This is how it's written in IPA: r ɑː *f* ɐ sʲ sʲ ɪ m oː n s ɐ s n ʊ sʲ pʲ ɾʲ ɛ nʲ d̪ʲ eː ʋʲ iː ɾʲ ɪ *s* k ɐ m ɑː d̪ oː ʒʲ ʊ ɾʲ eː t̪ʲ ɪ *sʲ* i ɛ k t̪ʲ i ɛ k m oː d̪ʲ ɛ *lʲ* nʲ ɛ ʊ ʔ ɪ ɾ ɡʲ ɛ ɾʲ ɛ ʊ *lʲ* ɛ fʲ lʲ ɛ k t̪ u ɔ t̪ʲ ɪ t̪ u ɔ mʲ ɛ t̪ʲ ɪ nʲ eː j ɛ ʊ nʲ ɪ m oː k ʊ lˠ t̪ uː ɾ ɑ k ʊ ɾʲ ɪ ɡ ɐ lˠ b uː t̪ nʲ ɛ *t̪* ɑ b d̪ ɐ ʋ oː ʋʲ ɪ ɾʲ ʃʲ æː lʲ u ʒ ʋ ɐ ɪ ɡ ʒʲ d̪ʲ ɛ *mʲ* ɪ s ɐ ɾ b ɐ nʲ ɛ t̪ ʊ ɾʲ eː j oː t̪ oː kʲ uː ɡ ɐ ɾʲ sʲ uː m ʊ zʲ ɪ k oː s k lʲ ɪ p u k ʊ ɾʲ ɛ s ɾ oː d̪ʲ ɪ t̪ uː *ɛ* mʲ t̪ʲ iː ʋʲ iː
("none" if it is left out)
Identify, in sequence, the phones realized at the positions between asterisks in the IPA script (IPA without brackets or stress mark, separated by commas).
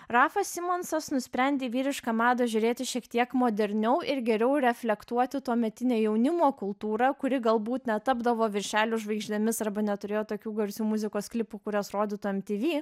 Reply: f, ʃ, ʃʲ, ɾʲ, ɾʲ, t̪, mʲ, ɛ